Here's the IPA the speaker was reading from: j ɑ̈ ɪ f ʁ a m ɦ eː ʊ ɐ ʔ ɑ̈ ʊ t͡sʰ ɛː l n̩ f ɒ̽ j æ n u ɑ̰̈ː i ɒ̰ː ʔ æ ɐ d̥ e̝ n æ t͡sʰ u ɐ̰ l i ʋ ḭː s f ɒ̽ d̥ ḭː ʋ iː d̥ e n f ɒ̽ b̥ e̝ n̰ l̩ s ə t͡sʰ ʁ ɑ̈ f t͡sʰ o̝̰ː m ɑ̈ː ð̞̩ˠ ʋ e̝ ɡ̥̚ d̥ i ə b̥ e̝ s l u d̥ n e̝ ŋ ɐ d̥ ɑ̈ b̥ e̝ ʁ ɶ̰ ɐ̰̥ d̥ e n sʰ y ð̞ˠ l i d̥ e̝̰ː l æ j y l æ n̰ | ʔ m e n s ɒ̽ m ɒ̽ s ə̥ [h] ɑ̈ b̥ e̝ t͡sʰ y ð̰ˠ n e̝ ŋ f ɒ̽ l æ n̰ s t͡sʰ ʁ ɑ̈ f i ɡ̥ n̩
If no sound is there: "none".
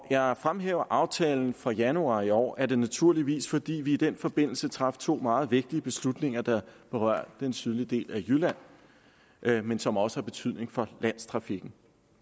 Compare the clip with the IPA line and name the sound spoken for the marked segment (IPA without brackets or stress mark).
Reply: h